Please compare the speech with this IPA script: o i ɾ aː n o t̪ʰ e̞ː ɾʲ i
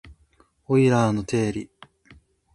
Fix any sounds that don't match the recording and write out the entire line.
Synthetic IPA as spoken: o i ɾ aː n o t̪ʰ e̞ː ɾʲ i